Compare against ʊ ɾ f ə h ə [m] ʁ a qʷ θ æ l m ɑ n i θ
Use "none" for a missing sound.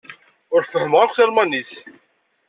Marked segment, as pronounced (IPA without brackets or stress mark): m